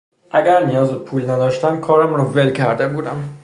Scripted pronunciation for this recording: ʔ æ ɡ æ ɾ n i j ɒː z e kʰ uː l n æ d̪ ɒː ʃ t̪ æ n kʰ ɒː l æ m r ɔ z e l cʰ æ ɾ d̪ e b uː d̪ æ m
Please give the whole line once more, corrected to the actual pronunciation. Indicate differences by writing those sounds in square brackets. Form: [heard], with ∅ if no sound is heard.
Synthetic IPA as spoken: ʔ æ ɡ æ ɾ n i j ɒː z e [pʰ] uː l n æ d̪ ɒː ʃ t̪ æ n kʰ ɒː [ɾ] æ m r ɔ [v] e l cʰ æ ɾ d̪ e b uː d̪ æ m